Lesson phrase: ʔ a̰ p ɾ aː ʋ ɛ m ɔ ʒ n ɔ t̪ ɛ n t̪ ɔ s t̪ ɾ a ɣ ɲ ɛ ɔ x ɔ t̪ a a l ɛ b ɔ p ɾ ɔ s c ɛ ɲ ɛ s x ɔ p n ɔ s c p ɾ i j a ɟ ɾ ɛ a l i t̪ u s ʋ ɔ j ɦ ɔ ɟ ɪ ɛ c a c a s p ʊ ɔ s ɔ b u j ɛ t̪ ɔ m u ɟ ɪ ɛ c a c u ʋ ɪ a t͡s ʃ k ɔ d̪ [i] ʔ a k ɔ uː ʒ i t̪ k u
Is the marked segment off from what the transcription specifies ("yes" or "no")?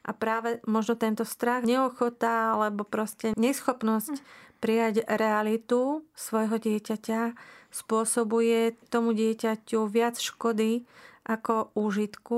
no